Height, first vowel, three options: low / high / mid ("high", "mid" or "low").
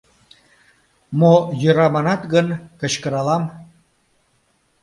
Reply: mid